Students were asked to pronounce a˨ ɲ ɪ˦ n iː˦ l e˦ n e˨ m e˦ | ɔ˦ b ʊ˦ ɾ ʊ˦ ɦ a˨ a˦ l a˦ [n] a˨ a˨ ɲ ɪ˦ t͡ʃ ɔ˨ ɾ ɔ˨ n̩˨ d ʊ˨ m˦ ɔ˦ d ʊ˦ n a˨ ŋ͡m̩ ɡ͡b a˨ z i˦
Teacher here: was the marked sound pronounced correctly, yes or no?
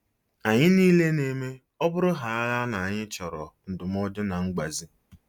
yes